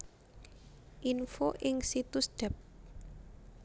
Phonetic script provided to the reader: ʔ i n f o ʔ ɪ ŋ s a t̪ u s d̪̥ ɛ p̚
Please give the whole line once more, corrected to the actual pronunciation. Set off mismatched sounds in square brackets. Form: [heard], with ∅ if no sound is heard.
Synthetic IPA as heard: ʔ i n f o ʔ ɪ ŋ s [i] t̪ u s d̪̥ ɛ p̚